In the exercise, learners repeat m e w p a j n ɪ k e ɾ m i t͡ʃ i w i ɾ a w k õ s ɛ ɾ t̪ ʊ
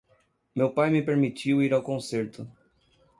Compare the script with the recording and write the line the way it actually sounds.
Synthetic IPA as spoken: m e w p a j m ɪ p e ɾ m i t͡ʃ i w i ɾ a w k õ s e ɾ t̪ ʊ

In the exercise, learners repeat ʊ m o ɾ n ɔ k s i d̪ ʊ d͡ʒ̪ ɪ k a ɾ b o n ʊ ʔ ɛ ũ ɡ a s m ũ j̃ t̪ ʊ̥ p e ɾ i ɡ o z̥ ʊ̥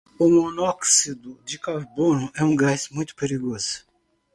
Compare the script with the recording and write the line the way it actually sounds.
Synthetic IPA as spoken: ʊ m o n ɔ k s i d̪ ʊ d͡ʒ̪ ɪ k a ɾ b o n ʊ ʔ ɛ ũ ɡ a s m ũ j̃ t̪ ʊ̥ p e ɾ i ɡ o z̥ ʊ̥

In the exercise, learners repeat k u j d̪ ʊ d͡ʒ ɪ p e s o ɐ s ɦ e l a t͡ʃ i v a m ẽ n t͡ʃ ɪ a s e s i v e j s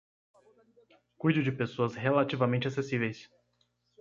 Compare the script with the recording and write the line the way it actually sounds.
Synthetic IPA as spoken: k u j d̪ ʊ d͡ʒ ɪ p e s o ɐ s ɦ e l a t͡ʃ i v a m ẽ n t͡ʃ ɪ a s e s i v e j s

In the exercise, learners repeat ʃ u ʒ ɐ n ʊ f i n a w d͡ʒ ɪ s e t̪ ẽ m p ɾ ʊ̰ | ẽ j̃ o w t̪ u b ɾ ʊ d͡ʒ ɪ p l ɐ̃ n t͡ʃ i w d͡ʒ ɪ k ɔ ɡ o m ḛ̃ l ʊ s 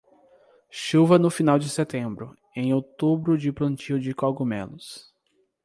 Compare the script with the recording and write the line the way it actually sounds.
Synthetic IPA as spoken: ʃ u v ɐ n ʊ f i n a w d͡ʒ ɪ s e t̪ ẽ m b ɾ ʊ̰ | ẽ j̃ o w t̪ u b ɾ ʊ d͡ʒ ɪ p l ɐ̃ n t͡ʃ i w d͡ʒ ɪ k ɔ ɡ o m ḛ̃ l ʊ s

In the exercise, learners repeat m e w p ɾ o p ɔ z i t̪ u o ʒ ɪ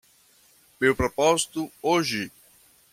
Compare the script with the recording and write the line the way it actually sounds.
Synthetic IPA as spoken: m e w p ɾ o p ɔ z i t̪ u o ʒ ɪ

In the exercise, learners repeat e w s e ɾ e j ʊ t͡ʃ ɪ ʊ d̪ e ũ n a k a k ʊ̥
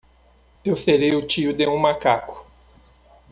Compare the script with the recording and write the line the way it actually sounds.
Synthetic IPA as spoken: e w s e ɾ e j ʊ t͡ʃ i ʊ d̪ e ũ m a k a k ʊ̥

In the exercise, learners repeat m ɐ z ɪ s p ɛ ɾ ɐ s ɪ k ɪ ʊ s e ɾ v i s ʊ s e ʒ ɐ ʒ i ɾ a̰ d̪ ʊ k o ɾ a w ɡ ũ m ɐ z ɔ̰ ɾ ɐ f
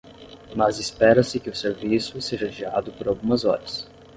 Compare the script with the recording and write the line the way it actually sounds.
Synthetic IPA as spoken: m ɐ z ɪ s p ɛ ɾ ɐ s ɪ k ɪ ʊ s e ɾ v i s ʊ s e ʒ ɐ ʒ i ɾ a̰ d̪ ʊ p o ɾ a w ɡ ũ m ɐ z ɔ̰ ɾ ɐ s

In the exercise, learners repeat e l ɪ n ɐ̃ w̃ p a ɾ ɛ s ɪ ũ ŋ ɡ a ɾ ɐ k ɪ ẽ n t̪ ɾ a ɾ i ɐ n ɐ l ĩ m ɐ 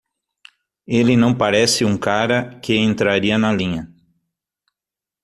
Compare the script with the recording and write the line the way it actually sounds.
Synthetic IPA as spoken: e l ɪ n ɐ̃ w̃ p a ɾ ɛ s ɪ ũ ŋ k a ɾ ɐ k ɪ ẽ n t̪ ɾ a ɾ i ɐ n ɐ l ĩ ɲ ɐ

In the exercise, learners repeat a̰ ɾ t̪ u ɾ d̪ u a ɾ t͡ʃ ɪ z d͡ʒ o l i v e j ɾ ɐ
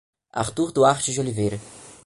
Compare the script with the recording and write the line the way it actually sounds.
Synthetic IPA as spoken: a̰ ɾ t̪ u ɾ d̪ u a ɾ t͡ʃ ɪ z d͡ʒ o l i v e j ɾ ɐ

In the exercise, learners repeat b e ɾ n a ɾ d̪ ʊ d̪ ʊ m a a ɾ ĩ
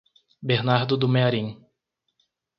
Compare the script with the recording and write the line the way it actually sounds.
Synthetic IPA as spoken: b e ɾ n a ɾ d̪ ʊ d̪ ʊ m e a ɾ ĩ

